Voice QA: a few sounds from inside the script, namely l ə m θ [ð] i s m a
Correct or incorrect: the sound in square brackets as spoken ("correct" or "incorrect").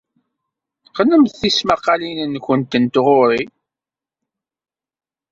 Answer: incorrect